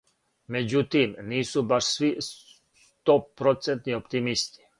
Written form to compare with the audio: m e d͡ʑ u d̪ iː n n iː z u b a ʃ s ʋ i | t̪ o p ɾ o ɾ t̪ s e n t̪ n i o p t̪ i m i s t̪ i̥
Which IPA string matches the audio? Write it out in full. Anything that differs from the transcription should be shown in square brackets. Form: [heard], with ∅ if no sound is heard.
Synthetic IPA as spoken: m e d͡ʑ u [t̪] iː [m] n iː [s] u b a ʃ s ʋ i | t̪ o p ɾ o [∅] t̪ s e n t̪ n i o p t̪ i m i s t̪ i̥